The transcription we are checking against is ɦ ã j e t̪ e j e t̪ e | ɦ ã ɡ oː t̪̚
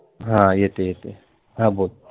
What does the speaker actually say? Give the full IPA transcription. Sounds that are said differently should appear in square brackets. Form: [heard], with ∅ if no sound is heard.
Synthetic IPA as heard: ɦ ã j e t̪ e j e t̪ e | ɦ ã [b] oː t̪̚